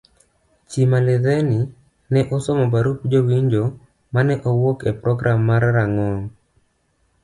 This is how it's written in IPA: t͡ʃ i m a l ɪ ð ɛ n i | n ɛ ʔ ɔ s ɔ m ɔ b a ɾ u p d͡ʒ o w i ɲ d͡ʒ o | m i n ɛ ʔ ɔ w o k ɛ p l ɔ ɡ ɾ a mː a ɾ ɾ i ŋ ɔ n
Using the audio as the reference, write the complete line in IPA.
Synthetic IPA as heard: t͡ʃ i m a l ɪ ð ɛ n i | n ɛ ʔ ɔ s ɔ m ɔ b a ɾ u p d͡ʒ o w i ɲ d͡ʒ o | m a n ɛ ʔ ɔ w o k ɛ p ɾ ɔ ɡ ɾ a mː a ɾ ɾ a ŋ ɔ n